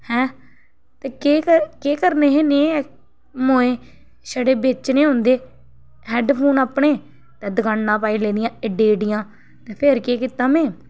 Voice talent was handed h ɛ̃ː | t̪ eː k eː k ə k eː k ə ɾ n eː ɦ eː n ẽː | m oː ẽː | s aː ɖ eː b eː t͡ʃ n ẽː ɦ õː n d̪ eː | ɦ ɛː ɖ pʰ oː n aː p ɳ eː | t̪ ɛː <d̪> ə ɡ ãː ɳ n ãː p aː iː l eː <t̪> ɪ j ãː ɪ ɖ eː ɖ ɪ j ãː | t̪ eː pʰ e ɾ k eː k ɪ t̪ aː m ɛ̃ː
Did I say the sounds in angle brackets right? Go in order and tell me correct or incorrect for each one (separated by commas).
correct, incorrect